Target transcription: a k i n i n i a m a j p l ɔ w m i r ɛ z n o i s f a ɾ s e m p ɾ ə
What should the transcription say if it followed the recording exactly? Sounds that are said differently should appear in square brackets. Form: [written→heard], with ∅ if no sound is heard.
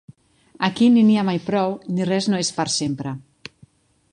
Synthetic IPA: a k i n i n i a m a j p [l→ɾ] ɔ w [m→n] i r ɛ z n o [i→e] s f a ɾ s e m p ɾ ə